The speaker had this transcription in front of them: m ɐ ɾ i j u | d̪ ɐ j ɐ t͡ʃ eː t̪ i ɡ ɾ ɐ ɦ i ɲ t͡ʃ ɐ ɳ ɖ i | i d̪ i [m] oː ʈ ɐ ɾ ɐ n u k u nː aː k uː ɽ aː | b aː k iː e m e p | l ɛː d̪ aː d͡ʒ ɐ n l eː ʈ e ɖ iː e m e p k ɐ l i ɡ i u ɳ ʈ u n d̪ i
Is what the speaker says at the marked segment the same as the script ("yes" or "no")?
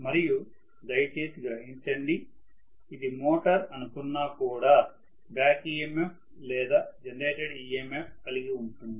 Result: yes